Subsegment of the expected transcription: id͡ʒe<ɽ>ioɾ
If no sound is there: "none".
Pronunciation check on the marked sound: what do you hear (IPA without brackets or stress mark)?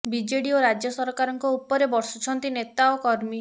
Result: ɽ